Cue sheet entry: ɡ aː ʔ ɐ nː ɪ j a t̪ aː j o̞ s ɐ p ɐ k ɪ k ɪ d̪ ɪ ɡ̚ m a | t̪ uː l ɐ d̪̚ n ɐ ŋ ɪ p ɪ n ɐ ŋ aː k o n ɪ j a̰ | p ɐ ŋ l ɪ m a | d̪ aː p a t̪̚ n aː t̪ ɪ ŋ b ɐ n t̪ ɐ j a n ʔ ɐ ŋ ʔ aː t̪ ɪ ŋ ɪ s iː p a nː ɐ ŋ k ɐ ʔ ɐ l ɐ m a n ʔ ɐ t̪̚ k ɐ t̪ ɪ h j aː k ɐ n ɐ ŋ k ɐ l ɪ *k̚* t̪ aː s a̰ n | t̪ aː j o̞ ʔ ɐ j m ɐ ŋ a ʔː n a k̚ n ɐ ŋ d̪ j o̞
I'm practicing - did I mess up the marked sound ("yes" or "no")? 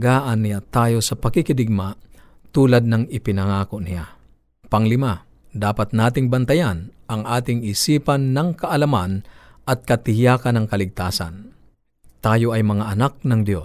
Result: yes